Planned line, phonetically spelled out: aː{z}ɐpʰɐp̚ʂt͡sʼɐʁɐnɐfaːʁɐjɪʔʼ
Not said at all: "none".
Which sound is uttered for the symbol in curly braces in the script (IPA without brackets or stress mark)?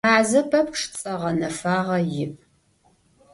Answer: z